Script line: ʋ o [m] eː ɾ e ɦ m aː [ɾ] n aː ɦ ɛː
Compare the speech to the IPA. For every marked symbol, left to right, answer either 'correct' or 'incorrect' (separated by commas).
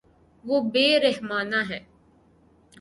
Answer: incorrect, incorrect